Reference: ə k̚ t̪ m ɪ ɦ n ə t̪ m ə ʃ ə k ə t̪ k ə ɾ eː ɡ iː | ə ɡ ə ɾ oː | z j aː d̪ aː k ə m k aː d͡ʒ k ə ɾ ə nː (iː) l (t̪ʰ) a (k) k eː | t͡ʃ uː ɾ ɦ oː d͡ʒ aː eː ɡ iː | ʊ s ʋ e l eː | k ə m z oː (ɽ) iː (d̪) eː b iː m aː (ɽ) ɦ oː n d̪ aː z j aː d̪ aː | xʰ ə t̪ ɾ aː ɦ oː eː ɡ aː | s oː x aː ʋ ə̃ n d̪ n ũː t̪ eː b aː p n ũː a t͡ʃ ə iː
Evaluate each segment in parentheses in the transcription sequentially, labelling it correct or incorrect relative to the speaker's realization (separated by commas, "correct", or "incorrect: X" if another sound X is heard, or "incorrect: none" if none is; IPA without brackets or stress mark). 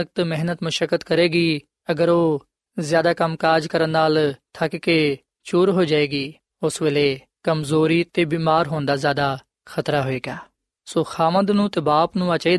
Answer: incorrect: aː, correct, correct, incorrect: ɾ, incorrect: t̪, incorrect: ɾ